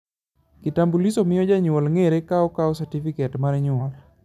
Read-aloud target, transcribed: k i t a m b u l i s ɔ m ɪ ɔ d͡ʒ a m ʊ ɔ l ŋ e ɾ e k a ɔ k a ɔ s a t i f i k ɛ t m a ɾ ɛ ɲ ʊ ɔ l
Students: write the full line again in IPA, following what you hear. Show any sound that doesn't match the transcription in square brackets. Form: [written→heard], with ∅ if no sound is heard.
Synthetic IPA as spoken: k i t a m b u l i s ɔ m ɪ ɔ d͡ʒ a [m→ɲ] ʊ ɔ l ŋ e ɾ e k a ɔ k a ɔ s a t i f i k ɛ t m a ɾ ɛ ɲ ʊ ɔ l